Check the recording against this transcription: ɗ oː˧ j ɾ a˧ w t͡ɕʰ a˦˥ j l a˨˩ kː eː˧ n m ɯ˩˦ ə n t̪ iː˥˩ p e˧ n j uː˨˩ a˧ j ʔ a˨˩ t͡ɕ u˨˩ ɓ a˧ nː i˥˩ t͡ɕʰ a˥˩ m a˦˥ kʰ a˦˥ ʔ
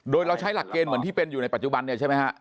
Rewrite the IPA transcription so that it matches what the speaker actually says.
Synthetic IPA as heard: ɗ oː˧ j ɾ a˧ w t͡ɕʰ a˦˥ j l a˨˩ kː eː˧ n m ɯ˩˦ ə n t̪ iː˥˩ p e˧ n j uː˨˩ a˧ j p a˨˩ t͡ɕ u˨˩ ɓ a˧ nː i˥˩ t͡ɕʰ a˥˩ m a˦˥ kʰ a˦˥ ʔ